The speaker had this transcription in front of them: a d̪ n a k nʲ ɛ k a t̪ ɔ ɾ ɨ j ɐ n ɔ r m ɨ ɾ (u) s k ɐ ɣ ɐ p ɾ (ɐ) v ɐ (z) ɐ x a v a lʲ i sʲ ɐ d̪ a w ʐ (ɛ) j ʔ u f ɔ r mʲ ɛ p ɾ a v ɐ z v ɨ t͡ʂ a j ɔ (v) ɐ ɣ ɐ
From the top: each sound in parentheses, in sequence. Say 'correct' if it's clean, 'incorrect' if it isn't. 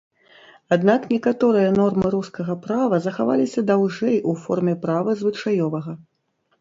correct, incorrect, correct, correct, correct

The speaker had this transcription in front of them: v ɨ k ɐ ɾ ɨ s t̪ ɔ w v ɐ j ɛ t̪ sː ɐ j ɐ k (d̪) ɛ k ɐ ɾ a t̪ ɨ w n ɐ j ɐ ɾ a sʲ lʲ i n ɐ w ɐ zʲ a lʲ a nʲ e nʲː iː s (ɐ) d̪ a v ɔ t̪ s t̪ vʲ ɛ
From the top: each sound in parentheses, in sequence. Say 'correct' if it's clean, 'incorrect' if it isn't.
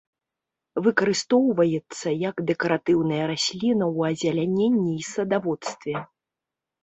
correct, correct

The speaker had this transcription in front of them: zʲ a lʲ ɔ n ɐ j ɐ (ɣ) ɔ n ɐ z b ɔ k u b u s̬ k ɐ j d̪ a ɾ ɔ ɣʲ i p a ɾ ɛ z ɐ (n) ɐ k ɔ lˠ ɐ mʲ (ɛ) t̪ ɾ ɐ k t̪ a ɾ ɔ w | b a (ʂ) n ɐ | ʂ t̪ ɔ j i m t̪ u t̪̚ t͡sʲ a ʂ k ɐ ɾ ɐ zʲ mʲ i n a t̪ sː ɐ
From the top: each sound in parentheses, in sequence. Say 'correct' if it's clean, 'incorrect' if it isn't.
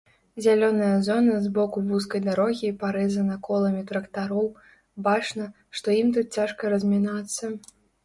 incorrect, correct, incorrect, incorrect

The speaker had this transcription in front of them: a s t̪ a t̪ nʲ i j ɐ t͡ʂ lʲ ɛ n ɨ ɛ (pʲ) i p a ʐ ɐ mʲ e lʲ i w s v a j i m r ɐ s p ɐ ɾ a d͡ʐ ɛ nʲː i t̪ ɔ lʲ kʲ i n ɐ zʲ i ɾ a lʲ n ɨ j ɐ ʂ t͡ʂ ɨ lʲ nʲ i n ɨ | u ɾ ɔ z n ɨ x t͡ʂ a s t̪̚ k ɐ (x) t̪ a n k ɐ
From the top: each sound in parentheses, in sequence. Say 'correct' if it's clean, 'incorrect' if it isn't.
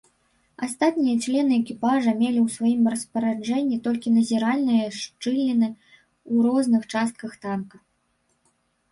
incorrect, correct

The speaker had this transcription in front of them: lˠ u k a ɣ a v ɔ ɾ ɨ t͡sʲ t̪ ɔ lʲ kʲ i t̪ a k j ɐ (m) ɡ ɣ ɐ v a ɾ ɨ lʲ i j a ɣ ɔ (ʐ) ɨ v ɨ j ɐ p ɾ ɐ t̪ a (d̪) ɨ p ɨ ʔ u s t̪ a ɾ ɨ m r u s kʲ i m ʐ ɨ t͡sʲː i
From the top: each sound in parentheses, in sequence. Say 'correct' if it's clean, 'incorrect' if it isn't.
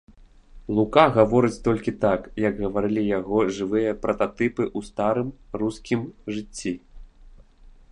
incorrect, correct, incorrect

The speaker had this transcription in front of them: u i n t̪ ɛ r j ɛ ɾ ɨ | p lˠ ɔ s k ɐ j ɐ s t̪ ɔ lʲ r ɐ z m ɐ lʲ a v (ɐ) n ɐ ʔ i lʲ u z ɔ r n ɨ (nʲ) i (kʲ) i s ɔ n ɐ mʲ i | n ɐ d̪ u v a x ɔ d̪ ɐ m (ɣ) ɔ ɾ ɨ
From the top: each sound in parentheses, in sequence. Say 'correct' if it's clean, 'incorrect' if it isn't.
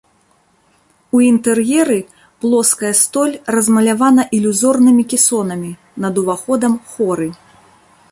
incorrect, incorrect, correct, incorrect

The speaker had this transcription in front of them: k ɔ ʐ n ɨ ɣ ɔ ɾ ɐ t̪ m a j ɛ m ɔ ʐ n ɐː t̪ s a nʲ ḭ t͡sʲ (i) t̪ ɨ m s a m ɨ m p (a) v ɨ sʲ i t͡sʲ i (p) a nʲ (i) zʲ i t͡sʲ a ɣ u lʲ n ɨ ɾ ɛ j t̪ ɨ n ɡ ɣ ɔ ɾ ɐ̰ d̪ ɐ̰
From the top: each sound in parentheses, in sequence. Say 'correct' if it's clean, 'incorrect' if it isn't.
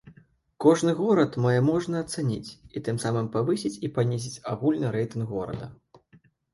correct, correct, correct, correct

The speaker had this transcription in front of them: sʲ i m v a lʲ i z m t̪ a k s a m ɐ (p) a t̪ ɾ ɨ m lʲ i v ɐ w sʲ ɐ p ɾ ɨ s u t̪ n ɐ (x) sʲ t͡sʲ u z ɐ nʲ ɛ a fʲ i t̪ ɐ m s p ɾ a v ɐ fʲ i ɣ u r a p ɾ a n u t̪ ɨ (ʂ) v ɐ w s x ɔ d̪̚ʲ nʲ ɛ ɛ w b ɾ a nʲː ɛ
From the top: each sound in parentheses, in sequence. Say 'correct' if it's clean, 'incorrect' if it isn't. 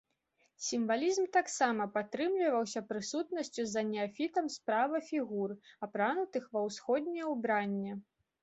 correct, incorrect, incorrect

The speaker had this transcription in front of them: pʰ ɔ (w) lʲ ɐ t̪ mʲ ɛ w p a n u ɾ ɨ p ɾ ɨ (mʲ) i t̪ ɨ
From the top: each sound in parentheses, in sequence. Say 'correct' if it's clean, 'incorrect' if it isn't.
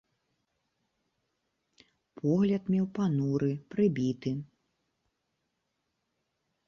incorrect, incorrect

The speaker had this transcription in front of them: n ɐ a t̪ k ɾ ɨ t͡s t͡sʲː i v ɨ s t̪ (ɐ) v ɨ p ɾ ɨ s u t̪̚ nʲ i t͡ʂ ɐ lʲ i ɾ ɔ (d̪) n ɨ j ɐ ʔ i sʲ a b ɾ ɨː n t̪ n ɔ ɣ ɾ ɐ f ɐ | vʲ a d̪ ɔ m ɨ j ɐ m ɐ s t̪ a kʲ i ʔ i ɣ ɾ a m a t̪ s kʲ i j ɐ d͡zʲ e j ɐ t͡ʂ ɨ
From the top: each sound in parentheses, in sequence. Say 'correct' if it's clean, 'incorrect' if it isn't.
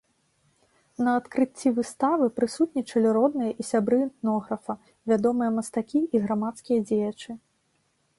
incorrect, correct

